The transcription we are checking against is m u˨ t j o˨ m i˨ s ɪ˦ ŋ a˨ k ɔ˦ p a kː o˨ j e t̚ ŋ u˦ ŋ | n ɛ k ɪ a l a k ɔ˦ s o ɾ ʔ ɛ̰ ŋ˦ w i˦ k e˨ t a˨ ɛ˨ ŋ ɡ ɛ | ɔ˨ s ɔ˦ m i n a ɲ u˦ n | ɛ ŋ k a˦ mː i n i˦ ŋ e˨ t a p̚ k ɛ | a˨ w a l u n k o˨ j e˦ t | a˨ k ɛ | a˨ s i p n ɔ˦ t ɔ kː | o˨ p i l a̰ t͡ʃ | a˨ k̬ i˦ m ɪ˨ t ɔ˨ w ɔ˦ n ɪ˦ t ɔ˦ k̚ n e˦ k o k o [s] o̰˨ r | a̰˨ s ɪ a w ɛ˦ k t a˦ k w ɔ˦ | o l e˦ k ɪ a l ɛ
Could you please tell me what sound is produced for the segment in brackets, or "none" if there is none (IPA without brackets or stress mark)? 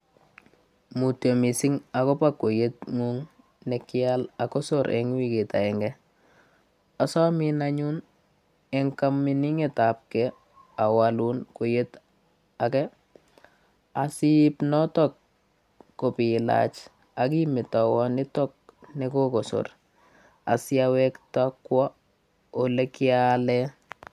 s